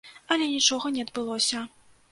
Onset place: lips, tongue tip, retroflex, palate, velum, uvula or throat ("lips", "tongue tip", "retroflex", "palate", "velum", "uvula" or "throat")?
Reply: tongue tip